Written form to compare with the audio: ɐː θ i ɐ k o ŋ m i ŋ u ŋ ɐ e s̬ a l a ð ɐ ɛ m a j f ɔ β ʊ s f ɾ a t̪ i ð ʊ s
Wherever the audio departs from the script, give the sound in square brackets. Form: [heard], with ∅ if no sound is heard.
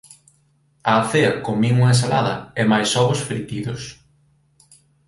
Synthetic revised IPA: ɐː θ [e] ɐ k o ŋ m i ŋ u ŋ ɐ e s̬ a l a ð ɐ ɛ m a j [s] ɔ β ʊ s f ɾ [i] t̪ i ð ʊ s